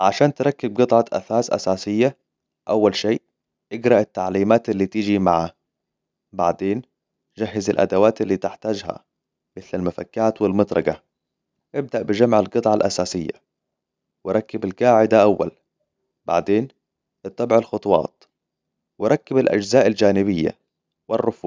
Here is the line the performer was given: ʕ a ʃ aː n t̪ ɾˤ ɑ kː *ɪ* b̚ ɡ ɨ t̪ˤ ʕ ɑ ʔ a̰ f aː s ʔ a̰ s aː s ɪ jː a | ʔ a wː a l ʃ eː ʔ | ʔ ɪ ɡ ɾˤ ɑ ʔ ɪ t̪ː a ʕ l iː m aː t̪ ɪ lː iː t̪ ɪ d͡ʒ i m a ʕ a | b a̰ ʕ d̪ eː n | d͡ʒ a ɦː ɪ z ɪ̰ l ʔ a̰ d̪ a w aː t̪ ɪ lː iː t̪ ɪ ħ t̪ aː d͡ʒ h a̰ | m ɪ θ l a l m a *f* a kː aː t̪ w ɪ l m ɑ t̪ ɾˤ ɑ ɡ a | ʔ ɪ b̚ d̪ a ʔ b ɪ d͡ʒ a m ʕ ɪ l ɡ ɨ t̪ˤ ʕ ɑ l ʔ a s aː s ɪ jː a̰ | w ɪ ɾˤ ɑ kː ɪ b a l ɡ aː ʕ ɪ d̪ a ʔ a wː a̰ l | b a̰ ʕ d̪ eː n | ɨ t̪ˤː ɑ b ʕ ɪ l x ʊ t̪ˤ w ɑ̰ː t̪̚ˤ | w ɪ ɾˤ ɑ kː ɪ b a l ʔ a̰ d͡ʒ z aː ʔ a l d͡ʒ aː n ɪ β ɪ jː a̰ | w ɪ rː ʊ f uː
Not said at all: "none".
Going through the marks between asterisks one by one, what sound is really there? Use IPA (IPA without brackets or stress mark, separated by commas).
ɪ, f